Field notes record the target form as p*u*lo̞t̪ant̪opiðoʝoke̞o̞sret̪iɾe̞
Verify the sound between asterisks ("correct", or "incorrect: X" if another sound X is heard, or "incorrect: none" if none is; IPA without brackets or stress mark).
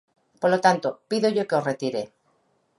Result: incorrect: o